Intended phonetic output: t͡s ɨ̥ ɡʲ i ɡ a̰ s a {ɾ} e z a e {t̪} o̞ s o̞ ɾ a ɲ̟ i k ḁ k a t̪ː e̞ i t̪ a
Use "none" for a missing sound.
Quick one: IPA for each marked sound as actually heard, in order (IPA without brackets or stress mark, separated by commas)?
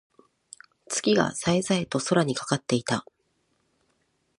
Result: none, t̪